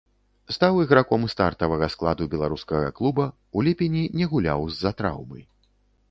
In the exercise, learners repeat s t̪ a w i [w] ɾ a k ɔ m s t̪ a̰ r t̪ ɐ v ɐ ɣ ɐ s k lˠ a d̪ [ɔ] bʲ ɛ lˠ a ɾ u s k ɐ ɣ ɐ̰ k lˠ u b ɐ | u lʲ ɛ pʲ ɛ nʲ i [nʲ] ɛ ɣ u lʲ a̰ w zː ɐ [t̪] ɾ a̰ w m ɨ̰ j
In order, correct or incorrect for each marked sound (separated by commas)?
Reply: incorrect, incorrect, correct, correct